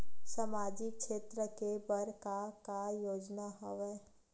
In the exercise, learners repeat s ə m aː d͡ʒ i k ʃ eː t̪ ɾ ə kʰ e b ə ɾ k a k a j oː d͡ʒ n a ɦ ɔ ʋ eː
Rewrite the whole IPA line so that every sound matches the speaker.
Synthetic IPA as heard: s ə m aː d͡ʒ i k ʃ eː t̪ ɾ ə k e b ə ɾ k a k a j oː d͡ʒ n a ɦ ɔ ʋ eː